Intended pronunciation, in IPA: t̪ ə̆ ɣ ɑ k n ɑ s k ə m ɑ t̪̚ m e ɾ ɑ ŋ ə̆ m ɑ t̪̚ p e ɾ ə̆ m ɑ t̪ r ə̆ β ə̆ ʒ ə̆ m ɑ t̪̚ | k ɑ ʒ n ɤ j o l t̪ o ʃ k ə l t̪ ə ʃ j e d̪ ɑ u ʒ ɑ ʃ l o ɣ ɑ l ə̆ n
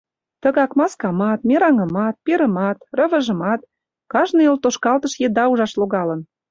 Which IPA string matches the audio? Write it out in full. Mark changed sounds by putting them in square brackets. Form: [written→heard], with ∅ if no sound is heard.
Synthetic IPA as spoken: t̪ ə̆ ɣ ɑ k [n→m] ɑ s k [ə→ɑ] m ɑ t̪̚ m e ɾ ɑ ŋ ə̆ m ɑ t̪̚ p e ɾ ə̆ m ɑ t̪ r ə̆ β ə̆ ʒ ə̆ m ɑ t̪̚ | k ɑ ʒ n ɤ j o l t̪ o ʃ k [ə→ɑ] l t̪ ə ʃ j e d̪ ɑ u ʒ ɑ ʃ l o ɣ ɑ l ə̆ n